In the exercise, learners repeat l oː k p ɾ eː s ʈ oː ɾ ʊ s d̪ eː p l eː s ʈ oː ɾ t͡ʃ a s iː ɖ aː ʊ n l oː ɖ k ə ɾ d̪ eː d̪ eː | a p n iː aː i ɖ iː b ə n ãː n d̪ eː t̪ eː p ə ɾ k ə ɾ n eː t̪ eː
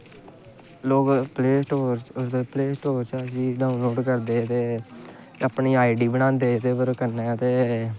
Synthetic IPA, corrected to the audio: l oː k p l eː s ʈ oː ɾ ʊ s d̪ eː p l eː s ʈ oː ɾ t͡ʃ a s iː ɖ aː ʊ n l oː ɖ k ə ɾ d̪ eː t̪ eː | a p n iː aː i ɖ iː b ə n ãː n d̪ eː t̪ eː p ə ɾ k ə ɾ n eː t̪ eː